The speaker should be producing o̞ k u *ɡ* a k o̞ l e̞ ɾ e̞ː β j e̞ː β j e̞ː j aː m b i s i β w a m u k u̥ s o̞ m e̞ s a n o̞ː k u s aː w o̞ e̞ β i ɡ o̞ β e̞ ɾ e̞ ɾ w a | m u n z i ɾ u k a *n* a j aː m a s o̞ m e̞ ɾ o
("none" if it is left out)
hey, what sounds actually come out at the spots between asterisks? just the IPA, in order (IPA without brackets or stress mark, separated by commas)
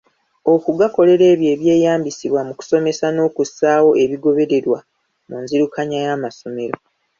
ɡ, ɲ